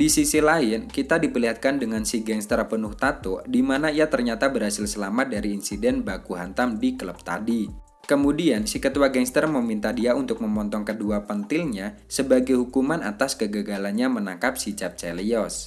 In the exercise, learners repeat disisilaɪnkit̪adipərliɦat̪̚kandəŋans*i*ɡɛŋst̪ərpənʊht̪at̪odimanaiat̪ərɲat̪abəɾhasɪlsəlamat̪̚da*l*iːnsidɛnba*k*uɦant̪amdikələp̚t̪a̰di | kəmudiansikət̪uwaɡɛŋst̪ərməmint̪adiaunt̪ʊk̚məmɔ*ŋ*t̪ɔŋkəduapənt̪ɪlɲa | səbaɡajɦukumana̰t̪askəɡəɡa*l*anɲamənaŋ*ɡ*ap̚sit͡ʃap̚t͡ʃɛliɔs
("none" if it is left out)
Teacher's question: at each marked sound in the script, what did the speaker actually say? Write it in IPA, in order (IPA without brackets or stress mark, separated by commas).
i, ɾ, k, n, l, k